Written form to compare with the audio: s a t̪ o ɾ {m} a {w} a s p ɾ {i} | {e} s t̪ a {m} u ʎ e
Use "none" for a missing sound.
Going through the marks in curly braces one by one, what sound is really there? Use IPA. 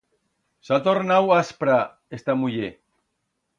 n, w, a, e, m

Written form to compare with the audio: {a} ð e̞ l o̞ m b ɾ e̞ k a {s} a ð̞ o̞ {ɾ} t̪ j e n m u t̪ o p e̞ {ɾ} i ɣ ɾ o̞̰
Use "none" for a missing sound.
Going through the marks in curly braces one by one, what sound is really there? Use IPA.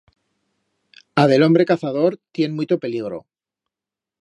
a, θ, ɾ, l

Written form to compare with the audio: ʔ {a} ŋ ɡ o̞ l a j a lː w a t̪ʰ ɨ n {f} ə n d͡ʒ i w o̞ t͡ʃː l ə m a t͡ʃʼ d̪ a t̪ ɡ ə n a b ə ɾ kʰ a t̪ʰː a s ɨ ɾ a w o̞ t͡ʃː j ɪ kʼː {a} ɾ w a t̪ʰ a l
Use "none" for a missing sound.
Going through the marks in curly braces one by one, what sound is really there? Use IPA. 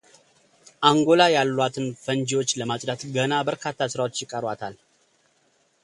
a, f, ə

